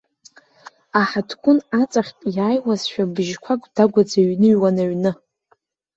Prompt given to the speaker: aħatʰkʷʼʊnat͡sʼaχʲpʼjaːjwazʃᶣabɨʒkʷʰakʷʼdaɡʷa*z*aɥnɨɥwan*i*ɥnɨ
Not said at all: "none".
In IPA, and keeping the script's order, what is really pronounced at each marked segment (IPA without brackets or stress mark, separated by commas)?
d͡z, a